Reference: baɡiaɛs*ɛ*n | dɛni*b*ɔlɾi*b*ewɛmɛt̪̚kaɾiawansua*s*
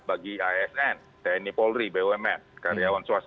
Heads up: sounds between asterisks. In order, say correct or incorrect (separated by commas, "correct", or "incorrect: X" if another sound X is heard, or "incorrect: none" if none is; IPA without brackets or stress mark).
correct, incorrect: p, correct, correct